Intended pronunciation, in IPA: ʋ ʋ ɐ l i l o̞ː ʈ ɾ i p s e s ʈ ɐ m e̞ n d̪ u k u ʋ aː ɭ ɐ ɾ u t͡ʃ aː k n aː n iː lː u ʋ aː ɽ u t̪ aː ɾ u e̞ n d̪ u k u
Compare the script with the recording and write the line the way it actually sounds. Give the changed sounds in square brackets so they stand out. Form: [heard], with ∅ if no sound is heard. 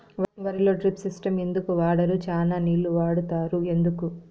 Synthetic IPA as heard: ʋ ʋ ɐ [ɾ] i l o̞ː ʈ ɾ i p s [i] s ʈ ɐ m e̞ n d̪ u k u ʋ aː [ɽ] ɐ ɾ u t͡ʃ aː [∅] n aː n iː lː u ʋ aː ɽ u t̪ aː ɾ u e̞ n d̪ u k u